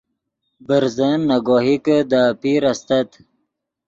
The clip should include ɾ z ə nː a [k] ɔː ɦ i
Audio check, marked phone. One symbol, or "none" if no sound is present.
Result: ɡ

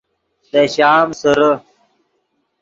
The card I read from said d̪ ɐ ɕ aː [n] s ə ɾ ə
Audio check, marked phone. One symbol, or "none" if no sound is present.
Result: m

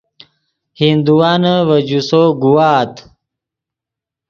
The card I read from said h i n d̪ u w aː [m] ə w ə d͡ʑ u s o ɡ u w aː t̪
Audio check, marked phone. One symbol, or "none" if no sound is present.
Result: n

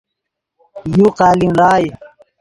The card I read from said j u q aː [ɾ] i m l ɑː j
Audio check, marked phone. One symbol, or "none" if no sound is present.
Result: l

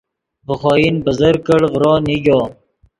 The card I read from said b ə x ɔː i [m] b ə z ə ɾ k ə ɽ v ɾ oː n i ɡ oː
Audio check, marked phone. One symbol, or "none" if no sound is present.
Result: n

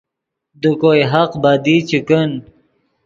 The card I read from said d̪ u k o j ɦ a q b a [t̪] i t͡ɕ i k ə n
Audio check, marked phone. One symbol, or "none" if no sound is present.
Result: d̪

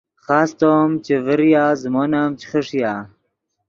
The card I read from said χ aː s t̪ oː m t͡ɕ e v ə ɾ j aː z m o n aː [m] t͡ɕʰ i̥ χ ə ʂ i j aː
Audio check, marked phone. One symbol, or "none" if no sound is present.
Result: m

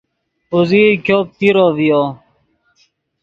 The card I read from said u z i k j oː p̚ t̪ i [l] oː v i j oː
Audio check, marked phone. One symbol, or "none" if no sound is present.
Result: ɾ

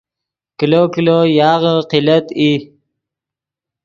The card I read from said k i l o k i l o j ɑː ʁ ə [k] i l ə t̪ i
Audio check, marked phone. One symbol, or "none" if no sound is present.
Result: q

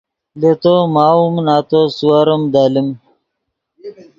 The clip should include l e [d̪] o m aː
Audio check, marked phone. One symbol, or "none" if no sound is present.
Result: t̪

